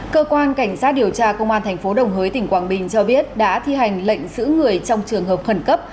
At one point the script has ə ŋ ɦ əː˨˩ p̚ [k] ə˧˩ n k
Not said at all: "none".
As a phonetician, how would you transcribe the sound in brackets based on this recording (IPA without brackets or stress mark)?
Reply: x